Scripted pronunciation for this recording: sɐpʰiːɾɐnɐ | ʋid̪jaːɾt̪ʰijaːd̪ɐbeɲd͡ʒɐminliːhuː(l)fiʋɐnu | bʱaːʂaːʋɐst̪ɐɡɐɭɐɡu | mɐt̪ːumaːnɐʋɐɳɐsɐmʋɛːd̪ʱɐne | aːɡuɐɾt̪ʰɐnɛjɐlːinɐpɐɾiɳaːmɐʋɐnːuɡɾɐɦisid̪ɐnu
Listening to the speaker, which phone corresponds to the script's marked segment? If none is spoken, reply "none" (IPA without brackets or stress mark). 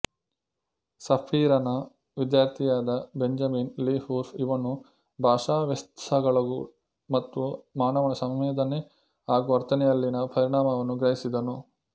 ɾ